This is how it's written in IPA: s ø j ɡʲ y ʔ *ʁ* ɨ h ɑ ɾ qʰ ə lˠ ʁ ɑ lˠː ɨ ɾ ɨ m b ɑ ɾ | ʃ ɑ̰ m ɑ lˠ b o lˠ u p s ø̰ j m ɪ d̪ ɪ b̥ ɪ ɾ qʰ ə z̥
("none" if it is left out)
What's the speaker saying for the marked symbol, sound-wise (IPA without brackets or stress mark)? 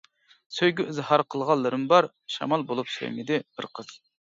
z